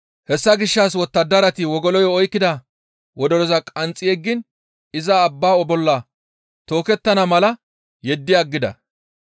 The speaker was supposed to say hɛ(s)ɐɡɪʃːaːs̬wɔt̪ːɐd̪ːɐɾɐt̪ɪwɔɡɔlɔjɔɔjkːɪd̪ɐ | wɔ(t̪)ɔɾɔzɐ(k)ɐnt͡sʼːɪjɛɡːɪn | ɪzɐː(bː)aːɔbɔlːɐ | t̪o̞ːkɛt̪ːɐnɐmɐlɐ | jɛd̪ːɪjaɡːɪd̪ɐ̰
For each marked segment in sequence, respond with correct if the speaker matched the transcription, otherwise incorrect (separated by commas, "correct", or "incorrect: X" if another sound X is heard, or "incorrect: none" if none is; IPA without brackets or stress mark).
incorrect: sː, incorrect: d̪, incorrect: kʼ, correct